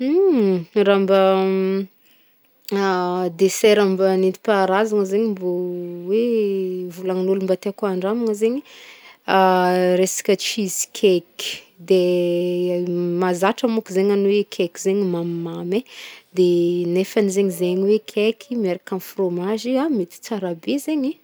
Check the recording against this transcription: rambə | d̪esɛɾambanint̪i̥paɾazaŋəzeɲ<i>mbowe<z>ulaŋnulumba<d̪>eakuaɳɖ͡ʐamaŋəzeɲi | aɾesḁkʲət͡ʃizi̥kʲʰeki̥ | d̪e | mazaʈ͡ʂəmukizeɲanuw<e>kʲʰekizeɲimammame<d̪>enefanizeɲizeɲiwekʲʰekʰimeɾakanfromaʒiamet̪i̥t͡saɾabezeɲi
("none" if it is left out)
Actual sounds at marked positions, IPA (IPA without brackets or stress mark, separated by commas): i, v, t̪, e, d̪